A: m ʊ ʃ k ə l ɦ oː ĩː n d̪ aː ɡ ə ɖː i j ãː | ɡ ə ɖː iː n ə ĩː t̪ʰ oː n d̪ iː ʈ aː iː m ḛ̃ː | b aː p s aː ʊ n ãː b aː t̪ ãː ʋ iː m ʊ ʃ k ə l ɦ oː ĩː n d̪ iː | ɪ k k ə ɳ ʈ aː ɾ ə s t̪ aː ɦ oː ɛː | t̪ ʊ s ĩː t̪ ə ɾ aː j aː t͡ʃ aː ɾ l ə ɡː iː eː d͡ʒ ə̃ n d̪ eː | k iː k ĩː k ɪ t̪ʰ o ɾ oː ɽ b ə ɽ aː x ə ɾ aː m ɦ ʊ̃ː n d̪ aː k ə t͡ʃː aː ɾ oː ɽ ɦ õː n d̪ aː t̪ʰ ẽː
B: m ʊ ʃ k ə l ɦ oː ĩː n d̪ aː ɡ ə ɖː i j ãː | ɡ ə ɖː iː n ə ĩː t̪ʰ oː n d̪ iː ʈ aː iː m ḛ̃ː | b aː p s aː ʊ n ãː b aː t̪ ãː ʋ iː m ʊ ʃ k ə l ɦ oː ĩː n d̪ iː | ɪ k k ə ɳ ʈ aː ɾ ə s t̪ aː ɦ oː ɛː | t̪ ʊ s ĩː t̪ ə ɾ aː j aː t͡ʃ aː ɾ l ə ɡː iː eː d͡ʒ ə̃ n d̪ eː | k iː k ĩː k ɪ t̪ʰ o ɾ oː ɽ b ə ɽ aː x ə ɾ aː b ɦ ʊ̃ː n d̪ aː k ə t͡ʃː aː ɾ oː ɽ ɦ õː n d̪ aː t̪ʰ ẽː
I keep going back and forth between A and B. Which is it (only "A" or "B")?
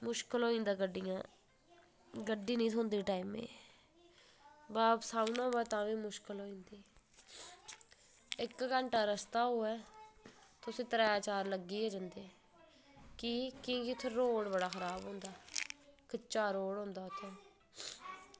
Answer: B